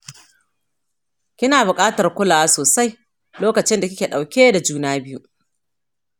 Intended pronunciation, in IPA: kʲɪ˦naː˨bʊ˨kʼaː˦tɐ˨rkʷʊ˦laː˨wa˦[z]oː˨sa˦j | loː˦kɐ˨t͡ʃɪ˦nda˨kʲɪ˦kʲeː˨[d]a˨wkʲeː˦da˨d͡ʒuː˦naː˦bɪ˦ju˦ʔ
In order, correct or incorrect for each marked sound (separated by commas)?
incorrect, incorrect